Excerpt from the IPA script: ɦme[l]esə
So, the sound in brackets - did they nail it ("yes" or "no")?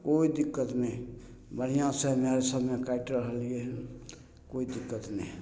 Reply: no